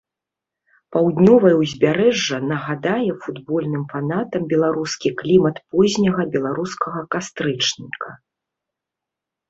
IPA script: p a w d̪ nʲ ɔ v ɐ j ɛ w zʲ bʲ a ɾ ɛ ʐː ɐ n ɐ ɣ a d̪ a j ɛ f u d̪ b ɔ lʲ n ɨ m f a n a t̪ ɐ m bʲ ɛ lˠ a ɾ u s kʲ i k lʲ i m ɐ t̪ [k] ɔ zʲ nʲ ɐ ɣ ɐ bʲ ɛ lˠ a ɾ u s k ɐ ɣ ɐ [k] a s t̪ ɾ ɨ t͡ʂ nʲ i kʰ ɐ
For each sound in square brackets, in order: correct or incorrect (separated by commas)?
incorrect, correct